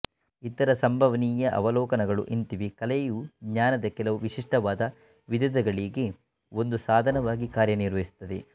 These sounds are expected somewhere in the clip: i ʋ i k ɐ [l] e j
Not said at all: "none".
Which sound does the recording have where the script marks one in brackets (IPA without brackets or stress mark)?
l